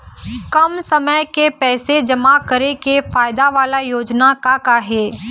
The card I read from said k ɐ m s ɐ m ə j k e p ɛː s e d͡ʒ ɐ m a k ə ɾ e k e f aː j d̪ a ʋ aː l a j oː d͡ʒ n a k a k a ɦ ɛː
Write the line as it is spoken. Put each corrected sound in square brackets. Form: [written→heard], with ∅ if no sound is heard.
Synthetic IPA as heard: k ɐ m s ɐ m ə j k e p ɛː s e d͡ʒ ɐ m a k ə ɾ e k e f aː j d̪ a ʋ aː l a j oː d͡ʒ n a k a k a ɦ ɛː